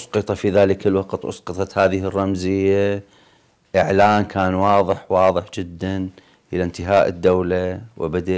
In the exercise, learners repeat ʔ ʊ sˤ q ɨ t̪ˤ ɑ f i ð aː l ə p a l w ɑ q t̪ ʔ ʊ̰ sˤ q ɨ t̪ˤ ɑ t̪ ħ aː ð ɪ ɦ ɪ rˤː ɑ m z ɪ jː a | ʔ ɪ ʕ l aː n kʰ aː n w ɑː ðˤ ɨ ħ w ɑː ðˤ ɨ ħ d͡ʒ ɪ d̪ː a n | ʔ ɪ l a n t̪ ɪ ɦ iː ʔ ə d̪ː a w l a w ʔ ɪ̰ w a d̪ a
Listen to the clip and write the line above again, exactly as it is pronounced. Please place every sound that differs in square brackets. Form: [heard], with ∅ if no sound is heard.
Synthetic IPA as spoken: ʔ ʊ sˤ q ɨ t̪ˤ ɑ f i ð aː l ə [k] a l w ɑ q t̪ ʔ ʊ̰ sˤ q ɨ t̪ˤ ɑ t̪ [h] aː ð ɪ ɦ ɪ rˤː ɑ m z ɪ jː a | ʔ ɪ ʕ l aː n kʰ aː n w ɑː ðˤ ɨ ħ w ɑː ðˤ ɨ ħ d͡ʒ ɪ d̪ː a n | ʔ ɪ l a n t̪ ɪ ɦ [aː] ʔ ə d̪ː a w l a w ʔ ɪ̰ [b] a d̪ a

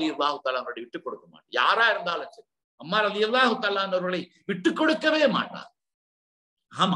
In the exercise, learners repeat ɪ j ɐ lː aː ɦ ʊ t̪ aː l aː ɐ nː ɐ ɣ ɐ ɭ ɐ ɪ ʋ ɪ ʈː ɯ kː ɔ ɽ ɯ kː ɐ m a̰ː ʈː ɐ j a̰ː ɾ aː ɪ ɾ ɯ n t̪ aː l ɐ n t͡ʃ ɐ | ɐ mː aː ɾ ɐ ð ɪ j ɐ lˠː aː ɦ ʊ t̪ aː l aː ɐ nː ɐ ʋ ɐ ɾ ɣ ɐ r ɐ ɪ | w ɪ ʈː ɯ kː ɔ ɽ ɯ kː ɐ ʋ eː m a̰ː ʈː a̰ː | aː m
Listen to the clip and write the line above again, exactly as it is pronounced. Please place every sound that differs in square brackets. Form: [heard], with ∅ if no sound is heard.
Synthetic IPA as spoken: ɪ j ɐ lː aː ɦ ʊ t̪ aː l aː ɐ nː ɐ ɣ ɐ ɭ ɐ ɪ ʋ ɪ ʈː ɯ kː ɔ ɽ ɯ kː ɐ m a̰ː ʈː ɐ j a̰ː ɾ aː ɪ ɾ ɯ n [d̪] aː l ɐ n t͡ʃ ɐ | ɐ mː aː ɾ ɐ ð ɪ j ɐ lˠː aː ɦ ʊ t̪ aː l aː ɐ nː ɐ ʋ ɐ ɾ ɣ ɐ [ɭ] ɐ ɪ | [ʋ] ɪ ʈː ɯ kː ɔ ɽ ɯ kː ɐ ʋ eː m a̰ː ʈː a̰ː | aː m

